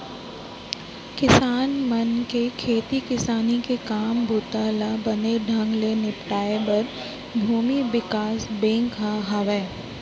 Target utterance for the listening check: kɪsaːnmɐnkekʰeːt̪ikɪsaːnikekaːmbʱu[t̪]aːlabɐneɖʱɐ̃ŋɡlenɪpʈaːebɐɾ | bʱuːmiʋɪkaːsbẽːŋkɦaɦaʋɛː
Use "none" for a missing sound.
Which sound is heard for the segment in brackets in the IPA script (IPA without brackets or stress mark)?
t̪